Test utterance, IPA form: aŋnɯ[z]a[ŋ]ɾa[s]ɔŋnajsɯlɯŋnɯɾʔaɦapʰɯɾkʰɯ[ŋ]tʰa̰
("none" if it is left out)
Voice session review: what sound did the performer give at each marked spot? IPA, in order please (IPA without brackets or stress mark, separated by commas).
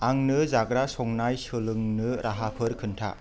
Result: z, ɡ, s, n